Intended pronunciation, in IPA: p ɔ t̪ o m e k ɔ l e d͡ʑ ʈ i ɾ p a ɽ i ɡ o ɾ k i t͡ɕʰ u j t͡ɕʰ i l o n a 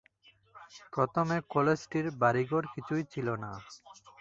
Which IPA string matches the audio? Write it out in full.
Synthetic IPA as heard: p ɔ t̪ o m e k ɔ l e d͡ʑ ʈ i ɾ b a ɾ i ɡ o ɾ k i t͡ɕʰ u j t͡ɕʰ i l o n a